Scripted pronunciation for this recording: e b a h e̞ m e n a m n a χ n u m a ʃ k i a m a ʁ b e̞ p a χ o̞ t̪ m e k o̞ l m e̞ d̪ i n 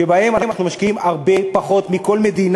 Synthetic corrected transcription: e b a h e̞ m a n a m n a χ n u m a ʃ k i i m a ʁ b e̞ p a χ o̞ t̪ m i k o̞ l m e̞ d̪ i n